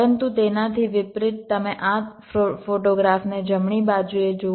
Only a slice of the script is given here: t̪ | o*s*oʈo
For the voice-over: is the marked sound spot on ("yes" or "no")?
no